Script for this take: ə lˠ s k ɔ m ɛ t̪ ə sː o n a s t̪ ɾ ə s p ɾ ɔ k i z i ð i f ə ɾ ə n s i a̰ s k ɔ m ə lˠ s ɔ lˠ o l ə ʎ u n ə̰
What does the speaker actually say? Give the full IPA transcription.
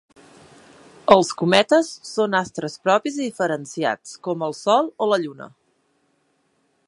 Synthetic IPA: ə lˠ s k u m ɛ t̪ ə sː o n a s t̪ ɾ ə s p ɾ ɔ p i z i ð i f ə ɾ ə n s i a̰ t͡s k ɔ m ə lˠ s ɔ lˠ o l ə ʎ u n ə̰